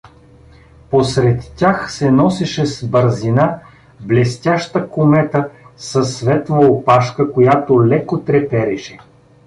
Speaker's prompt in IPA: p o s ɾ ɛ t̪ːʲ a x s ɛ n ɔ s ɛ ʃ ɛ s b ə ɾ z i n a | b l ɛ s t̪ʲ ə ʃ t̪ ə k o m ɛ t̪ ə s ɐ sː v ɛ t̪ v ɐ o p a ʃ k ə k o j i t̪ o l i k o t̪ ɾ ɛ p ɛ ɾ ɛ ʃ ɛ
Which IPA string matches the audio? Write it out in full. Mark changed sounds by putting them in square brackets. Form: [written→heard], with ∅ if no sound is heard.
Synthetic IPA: p o s ɾ ɛ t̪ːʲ a x s ɛ n ɔ s ɛ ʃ ɛ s b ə ɾ z i n a | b l ɛ s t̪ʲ [ə→a] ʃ t̪ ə k o m ɛ t̪ ə s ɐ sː v ɛ t̪ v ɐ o p a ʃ k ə k o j [i→a] t̪ o l [i→ɛ] k o t̪ ɾ ɛ p ɛ ɾ ɛ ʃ ɛ